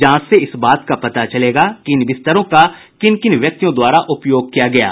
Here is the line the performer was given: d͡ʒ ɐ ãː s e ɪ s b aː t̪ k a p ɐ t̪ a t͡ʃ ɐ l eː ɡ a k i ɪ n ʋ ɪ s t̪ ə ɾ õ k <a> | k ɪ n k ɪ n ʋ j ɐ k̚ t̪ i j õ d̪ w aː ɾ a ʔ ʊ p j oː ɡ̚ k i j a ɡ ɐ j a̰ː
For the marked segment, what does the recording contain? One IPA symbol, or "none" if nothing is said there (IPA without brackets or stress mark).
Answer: a